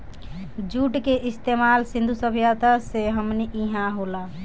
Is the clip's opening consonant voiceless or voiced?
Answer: voiced